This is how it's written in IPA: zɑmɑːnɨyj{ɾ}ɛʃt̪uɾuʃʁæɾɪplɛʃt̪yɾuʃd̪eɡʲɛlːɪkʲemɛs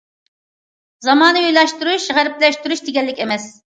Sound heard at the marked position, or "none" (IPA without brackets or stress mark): l